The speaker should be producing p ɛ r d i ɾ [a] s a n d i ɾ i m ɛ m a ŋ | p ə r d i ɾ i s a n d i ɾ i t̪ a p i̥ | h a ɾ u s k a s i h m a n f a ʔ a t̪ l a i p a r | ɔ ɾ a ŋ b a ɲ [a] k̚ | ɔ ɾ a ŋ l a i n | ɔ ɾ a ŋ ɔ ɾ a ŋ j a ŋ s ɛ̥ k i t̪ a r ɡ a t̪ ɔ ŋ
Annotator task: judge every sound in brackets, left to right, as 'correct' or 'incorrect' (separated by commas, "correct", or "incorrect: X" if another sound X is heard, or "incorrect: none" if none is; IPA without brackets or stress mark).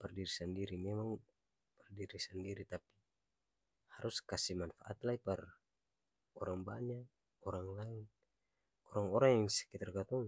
incorrect: i, correct